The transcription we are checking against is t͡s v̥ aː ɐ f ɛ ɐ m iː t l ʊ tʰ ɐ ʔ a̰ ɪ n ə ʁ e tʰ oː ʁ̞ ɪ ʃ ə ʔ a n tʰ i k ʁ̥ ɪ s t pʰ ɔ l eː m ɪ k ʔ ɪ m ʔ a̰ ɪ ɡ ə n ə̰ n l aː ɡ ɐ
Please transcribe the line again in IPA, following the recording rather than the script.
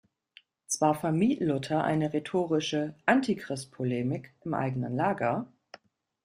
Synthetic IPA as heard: t͡s v̥ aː ɐ f ɛ ɐ m iː t l ʊ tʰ ɐ ʔ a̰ ɪ n ə ʁ e tʰ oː ʁ̞ ɪ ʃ ə ʔ a n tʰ i k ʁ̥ ɪ s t pʰ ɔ l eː m ɪ k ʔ ɪ m ʔ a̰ ɪ ɡ ə n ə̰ n l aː ɡ ɐ